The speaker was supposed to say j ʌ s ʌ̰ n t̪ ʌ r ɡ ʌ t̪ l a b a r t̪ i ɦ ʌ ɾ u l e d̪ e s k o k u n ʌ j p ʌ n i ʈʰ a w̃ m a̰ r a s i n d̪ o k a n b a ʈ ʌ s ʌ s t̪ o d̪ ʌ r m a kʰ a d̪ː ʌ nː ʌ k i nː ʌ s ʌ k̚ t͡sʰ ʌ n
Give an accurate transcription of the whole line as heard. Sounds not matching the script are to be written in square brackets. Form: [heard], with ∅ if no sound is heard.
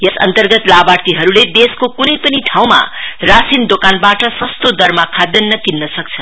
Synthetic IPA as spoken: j ʌ s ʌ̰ n t̪ ʌ r ɡ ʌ t̪ l a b a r t̪ i ɦ ʌ ɾ u l e d̪ e s k o k u n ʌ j p ʌ n i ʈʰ a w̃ m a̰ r a s i n d̪ o k a n b a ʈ ʌ s ʌ s t̪ o d̪ ʌ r m a kʰ a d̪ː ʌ nː ʌ k i nː ʌ s ʌ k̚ t͡sʰ ʌ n